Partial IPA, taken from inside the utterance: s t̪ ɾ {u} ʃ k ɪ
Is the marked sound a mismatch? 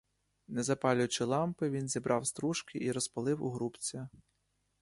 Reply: no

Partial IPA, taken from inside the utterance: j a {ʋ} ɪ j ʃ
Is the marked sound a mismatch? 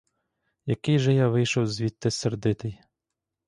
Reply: no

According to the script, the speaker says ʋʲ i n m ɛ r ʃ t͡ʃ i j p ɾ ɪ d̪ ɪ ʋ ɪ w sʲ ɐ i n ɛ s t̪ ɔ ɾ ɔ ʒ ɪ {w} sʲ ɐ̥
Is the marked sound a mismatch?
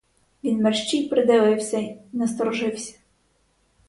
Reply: no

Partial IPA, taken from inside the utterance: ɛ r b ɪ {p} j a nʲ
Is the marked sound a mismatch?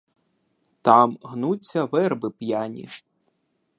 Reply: no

